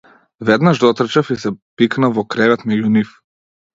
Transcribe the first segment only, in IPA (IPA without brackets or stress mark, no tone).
v